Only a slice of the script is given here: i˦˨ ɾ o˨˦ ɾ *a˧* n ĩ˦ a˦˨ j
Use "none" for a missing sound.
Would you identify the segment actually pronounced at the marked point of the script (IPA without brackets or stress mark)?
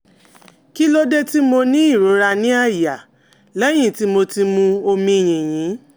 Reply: a˧